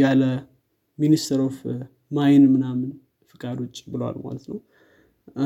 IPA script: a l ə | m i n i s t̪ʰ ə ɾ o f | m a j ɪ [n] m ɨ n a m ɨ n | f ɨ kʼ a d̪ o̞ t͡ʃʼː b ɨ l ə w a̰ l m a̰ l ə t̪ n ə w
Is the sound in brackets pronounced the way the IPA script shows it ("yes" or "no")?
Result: yes